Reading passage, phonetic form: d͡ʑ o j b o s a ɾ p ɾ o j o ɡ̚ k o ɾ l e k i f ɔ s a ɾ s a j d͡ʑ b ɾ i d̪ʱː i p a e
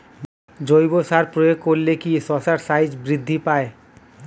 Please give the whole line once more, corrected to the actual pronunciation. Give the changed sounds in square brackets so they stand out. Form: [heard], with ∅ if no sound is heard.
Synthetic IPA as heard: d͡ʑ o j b o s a ɾ p ɾ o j o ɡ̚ k o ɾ l e k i [s] ɔ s a ɾ s a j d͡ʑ b ɾ i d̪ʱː i p a e